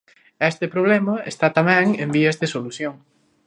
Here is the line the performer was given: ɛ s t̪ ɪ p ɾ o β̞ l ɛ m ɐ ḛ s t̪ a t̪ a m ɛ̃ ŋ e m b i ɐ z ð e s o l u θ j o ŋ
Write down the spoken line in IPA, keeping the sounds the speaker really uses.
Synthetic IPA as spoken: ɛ s t̪ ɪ p ɾ o β̞ l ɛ m ɐ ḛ s t̪ a t̪ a m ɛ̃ ŋ e m b i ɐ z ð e s o l u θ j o ŋ